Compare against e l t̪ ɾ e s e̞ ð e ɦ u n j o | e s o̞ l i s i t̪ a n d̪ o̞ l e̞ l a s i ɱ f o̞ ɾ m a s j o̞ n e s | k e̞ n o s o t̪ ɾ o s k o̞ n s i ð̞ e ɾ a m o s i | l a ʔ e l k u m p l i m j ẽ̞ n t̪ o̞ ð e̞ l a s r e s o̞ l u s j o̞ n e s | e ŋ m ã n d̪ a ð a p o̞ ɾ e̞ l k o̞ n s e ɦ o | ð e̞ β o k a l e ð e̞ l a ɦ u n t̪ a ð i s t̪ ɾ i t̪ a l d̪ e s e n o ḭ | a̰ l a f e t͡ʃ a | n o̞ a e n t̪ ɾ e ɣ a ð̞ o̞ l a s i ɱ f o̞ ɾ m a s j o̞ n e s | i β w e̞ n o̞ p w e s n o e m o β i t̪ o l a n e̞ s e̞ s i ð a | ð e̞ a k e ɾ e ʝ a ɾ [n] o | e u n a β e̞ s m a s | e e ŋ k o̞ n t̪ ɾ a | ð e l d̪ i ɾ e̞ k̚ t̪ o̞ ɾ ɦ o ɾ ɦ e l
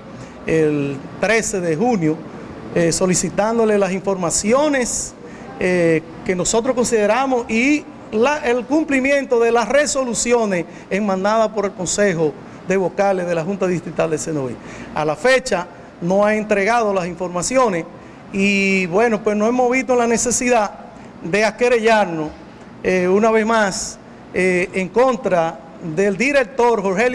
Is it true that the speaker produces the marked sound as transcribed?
yes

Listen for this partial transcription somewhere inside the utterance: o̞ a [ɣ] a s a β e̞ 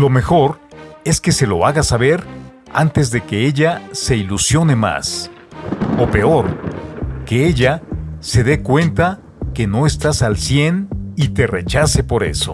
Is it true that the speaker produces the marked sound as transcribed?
yes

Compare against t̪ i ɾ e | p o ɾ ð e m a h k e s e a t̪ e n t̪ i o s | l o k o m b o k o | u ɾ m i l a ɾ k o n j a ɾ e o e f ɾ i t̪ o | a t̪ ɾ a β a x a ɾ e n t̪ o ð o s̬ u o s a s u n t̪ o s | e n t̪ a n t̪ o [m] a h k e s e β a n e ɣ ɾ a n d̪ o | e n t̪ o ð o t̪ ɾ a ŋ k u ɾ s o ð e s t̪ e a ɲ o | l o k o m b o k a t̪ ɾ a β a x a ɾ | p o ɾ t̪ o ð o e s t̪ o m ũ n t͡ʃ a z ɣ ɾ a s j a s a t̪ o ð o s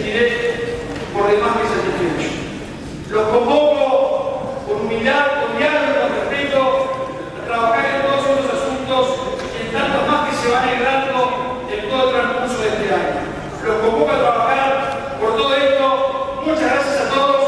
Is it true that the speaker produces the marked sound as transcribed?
yes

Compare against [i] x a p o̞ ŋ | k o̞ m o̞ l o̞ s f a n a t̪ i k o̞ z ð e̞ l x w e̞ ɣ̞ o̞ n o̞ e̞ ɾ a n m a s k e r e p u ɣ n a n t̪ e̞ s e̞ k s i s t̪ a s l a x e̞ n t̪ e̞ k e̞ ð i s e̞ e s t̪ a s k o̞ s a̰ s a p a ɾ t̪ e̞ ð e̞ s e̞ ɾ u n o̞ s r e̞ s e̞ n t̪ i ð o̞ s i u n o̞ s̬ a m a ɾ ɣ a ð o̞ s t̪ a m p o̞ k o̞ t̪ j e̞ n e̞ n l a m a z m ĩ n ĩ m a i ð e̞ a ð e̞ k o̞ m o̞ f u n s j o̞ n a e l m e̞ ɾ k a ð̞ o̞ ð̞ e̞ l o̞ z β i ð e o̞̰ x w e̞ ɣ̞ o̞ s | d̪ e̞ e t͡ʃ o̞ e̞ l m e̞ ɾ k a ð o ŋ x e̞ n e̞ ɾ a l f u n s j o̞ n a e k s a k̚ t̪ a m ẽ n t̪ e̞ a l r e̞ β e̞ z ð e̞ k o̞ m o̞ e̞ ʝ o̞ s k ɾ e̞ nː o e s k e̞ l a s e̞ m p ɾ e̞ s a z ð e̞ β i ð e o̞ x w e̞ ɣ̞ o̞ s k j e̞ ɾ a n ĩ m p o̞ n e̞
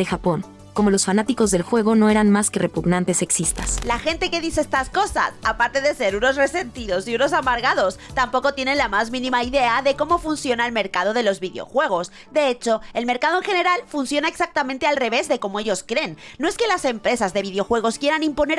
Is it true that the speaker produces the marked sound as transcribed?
no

